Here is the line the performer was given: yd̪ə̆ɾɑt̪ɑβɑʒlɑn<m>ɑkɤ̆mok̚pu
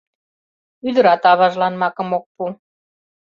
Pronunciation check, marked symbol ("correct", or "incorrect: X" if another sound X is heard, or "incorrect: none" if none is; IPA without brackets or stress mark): correct